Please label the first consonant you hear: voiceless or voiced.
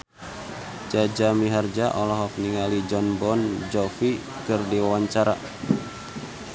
voiced